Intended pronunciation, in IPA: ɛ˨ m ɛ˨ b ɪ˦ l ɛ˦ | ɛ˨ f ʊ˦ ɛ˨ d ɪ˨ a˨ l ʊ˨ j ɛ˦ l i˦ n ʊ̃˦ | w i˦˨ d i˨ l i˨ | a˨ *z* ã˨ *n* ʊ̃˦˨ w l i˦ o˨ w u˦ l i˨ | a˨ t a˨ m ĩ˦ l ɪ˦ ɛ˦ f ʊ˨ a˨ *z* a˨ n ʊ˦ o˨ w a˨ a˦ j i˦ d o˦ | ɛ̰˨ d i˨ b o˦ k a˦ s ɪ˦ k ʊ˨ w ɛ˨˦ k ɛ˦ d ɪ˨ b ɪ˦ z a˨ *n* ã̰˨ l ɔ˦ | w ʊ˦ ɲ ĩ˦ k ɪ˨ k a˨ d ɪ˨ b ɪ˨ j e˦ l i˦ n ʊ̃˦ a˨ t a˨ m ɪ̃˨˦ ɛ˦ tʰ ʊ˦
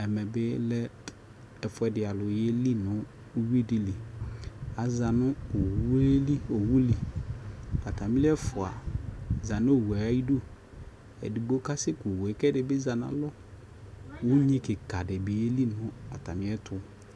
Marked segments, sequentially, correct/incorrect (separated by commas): correct, correct, correct, correct